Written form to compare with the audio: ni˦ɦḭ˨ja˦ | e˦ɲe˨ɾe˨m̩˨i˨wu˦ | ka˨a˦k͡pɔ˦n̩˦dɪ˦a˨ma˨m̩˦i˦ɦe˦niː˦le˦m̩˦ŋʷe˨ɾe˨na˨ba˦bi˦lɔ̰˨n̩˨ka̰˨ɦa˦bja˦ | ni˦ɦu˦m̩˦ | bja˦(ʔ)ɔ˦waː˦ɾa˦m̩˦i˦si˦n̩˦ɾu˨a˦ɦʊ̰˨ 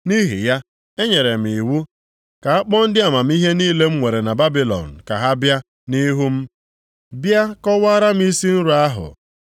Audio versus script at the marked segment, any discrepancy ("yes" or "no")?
yes